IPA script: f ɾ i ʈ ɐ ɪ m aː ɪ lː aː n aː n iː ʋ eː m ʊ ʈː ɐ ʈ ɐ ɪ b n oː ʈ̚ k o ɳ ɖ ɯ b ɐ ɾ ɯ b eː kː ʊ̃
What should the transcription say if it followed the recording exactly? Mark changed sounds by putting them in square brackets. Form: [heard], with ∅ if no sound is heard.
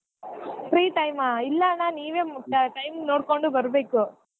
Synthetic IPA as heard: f ɾ [iː] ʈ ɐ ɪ m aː ɪ lː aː n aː n iː ʋ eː m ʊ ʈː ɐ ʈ ɐ ɪ [m] n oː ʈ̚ k o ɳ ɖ ɯ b ɐ ɾ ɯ b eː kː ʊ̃